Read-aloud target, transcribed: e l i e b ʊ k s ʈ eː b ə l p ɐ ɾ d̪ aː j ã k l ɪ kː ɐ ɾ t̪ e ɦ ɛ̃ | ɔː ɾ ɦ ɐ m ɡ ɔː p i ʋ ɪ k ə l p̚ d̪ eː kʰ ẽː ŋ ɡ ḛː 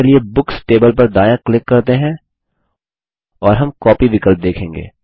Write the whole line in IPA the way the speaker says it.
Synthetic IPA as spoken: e l i e b ʊ k s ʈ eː b ə l p ɐ ɾ d̪ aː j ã k l ɪ kː ɐ ɾ t̪ e ɦ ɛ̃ | ɔː ɾ ɦ ɐ m k ɔː p i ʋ ɪ k ə l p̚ d̪ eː kʰ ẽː ŋ ɡ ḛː